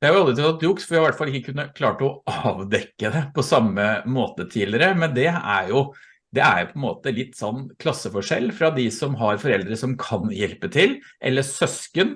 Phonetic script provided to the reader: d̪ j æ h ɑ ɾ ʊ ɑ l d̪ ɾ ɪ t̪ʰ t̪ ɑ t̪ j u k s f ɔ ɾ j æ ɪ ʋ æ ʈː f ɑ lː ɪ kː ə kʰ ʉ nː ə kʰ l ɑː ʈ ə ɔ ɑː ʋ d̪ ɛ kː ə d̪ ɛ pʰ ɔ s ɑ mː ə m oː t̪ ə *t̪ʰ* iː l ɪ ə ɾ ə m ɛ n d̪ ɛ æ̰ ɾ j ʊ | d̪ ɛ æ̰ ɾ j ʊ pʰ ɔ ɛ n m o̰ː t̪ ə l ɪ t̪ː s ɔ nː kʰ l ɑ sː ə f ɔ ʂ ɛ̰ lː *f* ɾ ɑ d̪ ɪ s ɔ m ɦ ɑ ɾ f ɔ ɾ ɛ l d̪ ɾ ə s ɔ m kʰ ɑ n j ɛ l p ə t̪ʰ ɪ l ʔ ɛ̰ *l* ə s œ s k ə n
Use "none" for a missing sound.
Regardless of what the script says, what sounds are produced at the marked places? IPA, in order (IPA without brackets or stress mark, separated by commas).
t̪ʰ, f, lː